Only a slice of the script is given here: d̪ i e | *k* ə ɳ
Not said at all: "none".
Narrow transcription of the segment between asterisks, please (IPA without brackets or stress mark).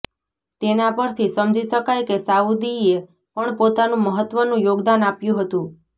p